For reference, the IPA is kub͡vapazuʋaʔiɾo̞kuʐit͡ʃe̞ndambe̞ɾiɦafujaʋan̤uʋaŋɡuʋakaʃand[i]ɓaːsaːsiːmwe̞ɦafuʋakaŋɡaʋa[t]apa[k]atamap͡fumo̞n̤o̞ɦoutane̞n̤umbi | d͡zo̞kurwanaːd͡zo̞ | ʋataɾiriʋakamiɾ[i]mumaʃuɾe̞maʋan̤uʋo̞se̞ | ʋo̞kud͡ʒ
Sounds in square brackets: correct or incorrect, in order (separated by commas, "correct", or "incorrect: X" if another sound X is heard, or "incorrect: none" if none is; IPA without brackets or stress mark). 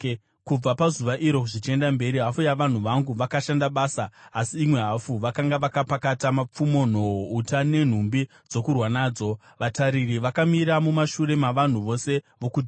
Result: incorrect: a, incorrect: k, correct, incorrect: a